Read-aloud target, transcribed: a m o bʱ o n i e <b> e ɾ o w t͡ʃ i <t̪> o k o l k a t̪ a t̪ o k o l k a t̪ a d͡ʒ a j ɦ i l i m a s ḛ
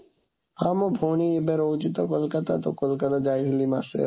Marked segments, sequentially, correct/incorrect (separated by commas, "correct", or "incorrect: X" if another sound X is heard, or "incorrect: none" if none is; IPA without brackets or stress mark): correct, correct